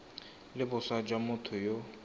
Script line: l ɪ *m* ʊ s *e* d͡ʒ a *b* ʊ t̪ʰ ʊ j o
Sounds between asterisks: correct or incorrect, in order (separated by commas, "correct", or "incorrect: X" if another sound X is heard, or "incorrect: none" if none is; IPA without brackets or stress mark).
incorrect: b, incorrect: a, incorrect: m